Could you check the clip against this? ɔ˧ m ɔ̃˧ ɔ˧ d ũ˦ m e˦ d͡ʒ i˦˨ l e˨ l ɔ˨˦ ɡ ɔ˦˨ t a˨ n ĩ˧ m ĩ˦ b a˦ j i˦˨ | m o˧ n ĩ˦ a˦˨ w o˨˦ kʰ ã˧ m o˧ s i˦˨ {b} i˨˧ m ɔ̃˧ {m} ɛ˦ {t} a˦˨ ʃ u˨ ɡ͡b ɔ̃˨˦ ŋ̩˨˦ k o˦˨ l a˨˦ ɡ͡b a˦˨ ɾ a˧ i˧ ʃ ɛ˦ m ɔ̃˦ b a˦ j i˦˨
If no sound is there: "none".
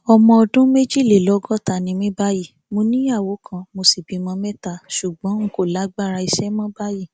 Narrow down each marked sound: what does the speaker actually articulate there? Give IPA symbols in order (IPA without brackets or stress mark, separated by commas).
b, m, t